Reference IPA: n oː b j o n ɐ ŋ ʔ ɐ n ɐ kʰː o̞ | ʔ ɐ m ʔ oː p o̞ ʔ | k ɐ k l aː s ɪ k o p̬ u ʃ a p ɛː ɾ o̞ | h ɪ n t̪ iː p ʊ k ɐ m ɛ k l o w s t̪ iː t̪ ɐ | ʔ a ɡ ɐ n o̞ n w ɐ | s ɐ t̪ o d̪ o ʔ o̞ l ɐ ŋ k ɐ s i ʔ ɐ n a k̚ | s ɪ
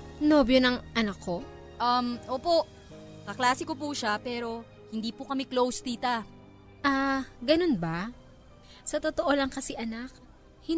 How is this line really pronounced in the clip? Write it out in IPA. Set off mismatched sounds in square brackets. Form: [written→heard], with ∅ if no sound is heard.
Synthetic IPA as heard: n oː b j o n ɐ ŋ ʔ ɐ n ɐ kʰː o̞ | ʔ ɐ m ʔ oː p o̞ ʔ | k ɐ k l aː s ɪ k o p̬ u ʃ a p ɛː ɾ o̞ | h ɪ n [t̪→d̪] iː p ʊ k ɐ m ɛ k l o w s t̪ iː t̪ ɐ | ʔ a ɡ ɐ n o̞ n [w→b] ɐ | s ɐ t̪ o [d̪→t̪] o ʔ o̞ l ɐ ŋ k ɐ s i ʔ ɐ n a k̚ | [s→h] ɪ